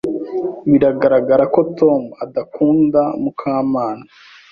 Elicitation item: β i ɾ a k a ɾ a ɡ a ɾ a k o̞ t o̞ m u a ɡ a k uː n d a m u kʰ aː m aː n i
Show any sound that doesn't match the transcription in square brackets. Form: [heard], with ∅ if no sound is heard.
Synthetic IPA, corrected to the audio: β i ɾ a [ɡ] a ɾ a ɡ a ɾ a k o̞ t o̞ m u a [d] a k uː n d a m u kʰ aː m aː n [a]